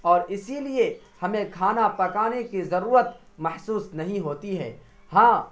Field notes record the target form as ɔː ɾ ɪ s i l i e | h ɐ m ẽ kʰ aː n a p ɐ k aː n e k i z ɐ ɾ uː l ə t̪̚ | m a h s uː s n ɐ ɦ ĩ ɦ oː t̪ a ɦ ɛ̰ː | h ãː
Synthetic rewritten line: ɔː ɾ ɪ s i l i e | h ɐ m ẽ kʰ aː n a p ɐ k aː n e k i z ɐ ɾ uː ɾ ə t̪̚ | m ɐ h s uː s n ɐ ɦ ĩ ɦ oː t̪ i ɦ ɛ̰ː | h ãː